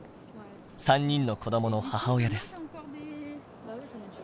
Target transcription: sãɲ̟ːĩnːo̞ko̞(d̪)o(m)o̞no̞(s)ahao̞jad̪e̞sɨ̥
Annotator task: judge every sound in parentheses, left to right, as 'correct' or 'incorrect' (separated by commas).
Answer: correct, correct, incorrect